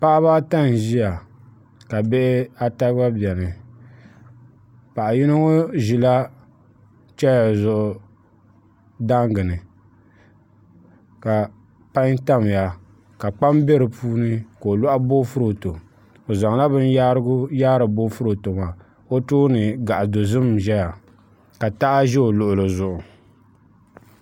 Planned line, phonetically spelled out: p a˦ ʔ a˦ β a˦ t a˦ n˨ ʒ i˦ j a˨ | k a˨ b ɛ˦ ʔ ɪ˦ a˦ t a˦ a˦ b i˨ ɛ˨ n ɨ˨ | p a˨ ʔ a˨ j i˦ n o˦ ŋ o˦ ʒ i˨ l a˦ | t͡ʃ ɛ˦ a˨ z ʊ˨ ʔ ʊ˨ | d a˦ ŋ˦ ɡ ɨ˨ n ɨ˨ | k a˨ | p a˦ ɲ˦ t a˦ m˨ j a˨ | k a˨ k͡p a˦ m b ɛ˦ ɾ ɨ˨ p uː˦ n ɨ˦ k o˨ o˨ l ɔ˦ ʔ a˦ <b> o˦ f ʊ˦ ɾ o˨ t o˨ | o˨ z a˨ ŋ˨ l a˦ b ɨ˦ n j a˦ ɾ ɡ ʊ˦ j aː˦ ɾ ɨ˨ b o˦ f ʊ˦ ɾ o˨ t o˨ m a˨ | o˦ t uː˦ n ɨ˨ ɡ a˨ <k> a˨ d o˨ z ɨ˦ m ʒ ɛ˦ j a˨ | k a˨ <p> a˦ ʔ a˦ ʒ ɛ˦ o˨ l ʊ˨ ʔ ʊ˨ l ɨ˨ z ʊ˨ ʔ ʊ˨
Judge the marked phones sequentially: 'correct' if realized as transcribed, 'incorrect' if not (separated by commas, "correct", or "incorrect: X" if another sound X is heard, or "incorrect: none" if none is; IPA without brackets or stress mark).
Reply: correct, incorrect: ʔ, incorrect: t